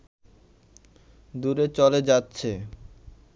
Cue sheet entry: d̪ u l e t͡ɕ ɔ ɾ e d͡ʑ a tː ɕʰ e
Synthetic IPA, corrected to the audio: d̪ u ɾ e t͡ɕ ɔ l e d͡ʑ a tː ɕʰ e